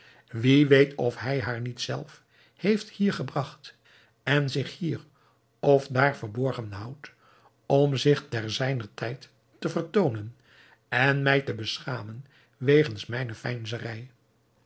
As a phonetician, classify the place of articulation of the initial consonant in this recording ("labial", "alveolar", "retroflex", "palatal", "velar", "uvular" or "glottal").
labial